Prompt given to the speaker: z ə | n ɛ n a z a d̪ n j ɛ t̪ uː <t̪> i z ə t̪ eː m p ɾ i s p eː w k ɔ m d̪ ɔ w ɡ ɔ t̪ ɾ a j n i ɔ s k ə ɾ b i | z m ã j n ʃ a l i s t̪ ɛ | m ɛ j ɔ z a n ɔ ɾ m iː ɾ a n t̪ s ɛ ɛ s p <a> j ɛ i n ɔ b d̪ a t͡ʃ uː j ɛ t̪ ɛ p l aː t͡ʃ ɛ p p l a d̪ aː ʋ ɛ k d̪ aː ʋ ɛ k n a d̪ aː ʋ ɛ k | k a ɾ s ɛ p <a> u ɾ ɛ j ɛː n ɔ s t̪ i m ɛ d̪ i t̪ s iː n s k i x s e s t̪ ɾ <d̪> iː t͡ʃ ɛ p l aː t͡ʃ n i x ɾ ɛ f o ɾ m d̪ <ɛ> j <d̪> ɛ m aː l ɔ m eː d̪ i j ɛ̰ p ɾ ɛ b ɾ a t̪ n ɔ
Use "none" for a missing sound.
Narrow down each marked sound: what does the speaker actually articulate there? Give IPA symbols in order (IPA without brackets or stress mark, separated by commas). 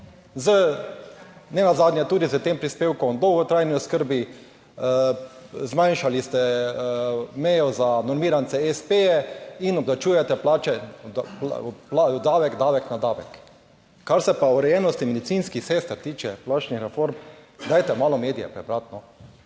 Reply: d̪, e, a, t̪, a, t̪